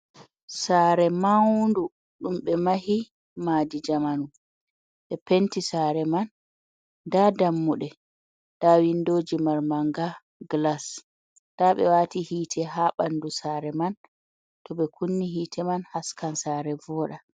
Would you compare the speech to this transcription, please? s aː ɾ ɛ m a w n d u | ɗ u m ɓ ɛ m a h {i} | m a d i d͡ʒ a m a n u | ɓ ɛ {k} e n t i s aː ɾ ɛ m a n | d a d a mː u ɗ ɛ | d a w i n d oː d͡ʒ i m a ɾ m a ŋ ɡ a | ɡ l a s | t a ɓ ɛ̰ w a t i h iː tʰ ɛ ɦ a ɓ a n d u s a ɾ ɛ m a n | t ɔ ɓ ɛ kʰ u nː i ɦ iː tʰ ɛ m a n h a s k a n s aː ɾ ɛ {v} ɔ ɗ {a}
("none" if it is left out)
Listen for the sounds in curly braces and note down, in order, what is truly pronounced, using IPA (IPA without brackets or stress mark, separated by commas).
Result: i, p, v, a